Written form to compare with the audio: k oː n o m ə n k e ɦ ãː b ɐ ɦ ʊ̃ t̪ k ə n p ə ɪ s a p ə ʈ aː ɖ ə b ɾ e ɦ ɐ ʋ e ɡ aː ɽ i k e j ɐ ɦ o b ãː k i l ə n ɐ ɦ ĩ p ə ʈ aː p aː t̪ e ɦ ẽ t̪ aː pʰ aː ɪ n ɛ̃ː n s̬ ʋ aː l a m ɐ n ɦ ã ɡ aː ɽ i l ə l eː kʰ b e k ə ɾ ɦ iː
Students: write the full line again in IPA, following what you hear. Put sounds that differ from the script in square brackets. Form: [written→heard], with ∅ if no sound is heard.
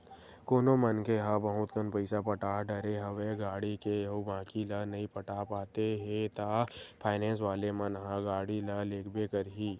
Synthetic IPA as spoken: k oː n o m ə n k e ɦ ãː b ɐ ɦ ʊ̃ t̪ k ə n p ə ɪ s a p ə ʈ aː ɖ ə [b→∅] ɾ e ɦ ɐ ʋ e ɡ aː ɽ i k e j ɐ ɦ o b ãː k i l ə n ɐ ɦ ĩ p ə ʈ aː p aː t̪ e ɦ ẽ t̪ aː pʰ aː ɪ n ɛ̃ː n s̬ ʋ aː l [a→e] m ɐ n ɦ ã ɡ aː ɽ i l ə l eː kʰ b e k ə ɾ ɦ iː